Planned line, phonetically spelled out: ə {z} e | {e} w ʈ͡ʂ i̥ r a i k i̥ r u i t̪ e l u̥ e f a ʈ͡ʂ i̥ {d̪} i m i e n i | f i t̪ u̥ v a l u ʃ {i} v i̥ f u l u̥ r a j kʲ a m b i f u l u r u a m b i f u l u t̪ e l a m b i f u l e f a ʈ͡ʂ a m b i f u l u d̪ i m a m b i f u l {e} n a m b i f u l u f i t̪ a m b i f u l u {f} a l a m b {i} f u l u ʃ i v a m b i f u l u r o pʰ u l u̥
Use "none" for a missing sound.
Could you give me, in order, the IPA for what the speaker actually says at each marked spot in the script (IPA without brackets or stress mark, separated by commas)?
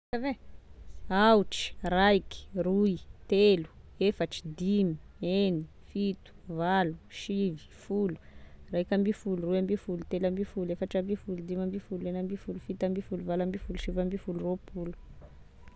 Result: v, a, d̪, i, e, v, i